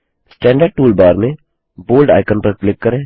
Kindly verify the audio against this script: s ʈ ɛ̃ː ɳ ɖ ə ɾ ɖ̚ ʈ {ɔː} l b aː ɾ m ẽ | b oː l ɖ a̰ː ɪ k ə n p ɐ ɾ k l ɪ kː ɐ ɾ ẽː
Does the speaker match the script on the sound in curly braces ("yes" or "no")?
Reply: no